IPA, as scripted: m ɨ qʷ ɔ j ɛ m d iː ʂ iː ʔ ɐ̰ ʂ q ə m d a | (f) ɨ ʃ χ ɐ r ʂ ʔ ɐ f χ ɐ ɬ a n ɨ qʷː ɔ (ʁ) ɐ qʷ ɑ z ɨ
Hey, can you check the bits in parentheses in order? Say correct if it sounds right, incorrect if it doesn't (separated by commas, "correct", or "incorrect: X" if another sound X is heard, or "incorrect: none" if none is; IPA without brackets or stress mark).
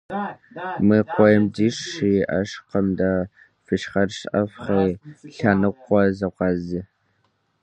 correct, incorrect: z